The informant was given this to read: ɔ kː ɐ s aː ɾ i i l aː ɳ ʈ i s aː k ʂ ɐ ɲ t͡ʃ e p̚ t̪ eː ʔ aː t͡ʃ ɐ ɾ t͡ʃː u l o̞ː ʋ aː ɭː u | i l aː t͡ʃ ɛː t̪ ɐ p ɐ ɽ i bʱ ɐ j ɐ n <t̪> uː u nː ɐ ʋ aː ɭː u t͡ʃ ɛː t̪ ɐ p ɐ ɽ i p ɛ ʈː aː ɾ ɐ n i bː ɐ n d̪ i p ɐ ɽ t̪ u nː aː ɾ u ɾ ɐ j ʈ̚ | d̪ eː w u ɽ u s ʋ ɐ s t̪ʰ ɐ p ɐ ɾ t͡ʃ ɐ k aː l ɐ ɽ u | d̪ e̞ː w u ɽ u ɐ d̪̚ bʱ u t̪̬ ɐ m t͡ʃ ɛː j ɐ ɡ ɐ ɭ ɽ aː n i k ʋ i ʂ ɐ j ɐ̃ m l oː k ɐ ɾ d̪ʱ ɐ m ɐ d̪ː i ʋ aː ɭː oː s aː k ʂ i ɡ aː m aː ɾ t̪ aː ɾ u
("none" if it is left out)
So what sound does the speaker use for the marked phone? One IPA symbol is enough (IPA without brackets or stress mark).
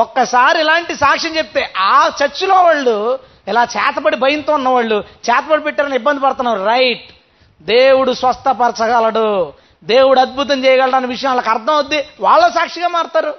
t̪